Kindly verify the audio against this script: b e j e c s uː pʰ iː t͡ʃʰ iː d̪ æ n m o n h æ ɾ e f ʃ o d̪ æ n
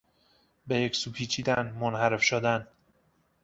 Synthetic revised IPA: b e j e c s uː pʰ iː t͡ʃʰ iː d̪ æ n m o n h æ ɾ e f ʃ o d̪ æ n